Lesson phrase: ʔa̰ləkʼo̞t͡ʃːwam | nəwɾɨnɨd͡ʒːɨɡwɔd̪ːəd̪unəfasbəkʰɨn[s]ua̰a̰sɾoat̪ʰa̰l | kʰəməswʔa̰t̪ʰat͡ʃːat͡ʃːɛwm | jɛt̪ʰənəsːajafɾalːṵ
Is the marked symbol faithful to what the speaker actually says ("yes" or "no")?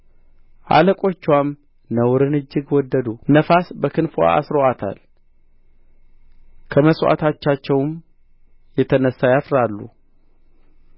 no